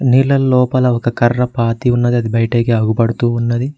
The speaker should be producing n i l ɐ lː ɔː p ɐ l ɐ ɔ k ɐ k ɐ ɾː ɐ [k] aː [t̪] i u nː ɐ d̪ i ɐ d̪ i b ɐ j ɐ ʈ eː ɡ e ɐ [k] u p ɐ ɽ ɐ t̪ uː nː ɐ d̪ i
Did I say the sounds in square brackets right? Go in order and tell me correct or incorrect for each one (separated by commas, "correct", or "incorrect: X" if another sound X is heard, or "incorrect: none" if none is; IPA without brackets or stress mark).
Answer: incorrect: p, correct, incorrect: ɡ